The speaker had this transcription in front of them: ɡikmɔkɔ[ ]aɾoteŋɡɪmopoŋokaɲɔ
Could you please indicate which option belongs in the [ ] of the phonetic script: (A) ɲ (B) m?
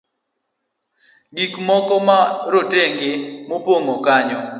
B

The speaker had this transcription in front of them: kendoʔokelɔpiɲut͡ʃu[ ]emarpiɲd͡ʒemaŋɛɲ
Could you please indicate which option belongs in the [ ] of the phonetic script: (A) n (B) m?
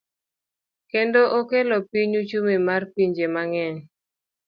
B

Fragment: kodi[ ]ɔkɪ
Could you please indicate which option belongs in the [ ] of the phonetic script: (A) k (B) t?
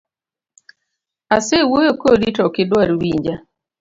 B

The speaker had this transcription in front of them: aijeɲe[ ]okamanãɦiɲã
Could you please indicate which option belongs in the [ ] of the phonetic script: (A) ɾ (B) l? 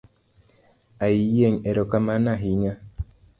A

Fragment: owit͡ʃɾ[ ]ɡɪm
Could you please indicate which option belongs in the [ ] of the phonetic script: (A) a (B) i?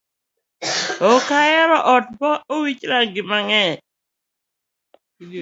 A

